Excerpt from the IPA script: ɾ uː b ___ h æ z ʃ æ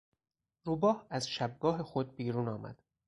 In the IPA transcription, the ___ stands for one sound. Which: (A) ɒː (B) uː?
A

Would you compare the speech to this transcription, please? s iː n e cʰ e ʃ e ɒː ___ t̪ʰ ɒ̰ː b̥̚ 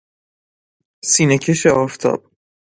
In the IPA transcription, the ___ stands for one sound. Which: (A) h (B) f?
B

